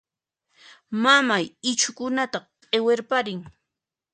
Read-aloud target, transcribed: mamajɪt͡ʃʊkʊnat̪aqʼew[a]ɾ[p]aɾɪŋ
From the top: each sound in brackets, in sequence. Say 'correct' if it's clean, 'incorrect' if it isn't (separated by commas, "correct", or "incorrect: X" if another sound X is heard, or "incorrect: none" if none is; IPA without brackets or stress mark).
incorrect: e, correct